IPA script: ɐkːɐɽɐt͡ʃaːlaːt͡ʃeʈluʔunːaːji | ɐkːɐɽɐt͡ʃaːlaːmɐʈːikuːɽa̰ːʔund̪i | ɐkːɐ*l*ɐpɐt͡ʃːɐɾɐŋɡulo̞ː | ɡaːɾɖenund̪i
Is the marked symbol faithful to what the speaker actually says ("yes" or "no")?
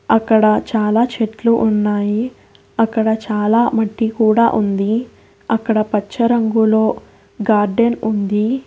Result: no